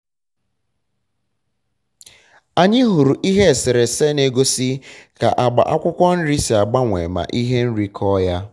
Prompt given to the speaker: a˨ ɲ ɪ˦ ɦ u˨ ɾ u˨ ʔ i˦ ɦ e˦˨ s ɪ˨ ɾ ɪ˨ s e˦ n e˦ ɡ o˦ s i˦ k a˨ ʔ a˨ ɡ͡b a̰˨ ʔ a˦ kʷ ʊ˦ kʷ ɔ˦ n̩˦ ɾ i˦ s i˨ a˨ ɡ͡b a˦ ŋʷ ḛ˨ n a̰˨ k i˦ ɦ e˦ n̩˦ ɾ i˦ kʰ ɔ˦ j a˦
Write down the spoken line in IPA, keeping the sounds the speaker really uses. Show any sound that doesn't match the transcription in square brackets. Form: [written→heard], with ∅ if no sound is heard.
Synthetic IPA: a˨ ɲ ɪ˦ ɦ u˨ ɾ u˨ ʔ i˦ ɦ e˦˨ s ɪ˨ ɾ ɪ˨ s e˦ n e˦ ɡ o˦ s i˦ k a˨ ʔ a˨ ɡ͡b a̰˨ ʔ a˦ kʷ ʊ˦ kʷ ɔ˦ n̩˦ ɾ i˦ s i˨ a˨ ɡ͡b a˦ ŋʷ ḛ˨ [n→m] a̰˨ [k→ʔ] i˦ ɦ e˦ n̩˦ ɾ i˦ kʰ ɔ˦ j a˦